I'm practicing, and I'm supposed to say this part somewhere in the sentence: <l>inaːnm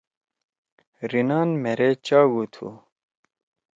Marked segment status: incorrect: ɾ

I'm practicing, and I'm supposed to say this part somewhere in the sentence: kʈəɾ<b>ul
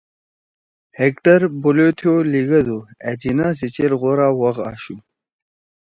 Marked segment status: correct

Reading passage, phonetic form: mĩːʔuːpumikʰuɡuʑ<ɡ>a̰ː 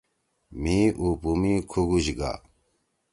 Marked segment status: correct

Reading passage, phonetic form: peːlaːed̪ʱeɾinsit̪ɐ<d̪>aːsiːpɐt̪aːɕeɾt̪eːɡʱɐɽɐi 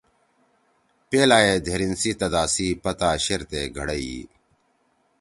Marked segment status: correct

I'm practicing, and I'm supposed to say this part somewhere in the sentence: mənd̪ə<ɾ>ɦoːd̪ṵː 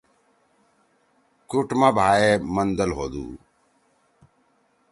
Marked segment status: incorrect: l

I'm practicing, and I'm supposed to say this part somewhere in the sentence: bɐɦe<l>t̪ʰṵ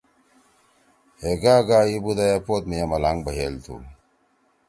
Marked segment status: correct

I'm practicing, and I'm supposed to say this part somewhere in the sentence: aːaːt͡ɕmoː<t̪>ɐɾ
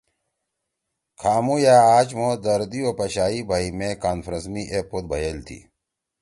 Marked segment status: incorrect: d̪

